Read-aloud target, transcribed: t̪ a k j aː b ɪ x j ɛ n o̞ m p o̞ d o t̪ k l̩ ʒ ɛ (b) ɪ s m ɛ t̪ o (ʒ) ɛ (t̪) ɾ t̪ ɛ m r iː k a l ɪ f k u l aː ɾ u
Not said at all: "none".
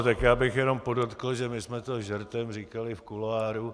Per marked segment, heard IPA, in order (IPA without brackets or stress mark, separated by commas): m, ʒ, none